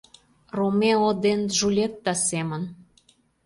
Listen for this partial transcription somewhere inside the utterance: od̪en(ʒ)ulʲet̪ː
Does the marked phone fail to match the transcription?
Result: no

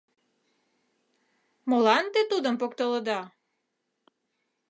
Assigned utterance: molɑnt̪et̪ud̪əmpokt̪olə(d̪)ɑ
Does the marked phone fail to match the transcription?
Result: no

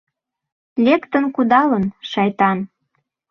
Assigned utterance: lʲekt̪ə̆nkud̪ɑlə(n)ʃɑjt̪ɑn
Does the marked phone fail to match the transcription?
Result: no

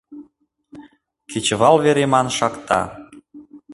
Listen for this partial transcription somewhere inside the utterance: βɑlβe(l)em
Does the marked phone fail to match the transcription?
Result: yes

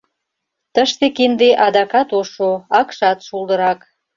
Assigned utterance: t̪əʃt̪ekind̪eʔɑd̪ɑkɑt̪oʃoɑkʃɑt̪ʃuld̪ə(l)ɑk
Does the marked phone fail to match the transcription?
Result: yes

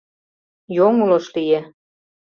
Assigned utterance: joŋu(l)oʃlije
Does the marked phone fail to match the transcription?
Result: no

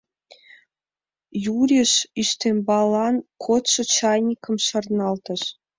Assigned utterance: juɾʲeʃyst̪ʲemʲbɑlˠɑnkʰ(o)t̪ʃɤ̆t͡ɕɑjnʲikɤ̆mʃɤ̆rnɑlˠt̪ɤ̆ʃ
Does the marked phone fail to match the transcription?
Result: no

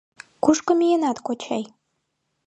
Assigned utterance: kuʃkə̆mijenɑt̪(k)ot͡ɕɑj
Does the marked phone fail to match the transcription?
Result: no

